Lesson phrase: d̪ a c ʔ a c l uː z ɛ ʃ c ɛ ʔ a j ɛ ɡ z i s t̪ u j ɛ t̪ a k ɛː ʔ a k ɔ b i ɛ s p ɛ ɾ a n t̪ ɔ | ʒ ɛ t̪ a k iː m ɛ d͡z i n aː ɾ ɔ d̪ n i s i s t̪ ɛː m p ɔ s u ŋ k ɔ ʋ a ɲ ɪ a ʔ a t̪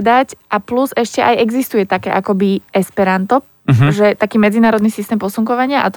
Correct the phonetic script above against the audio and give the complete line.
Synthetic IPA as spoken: d̪ a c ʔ a p l u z ɛ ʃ c ɛ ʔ a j ɛ ɡ z i s t̪ u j ɛ t̪ a k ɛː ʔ a k ɔ b i ɛ s p ɛ ɾ a n t̪ ɔ | ʒ ɛ t̪ a k iː m ɛ d͡z i n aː ɾ ɔ d̪ n i s i s t̪ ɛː m p ɔ s u ŋ k ɔ ʋ a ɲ ɪ a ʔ a t̪